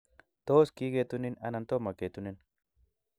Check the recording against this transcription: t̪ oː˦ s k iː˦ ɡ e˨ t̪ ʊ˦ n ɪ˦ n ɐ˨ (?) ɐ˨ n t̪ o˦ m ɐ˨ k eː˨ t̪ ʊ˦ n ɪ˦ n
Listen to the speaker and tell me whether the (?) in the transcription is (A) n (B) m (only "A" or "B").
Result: A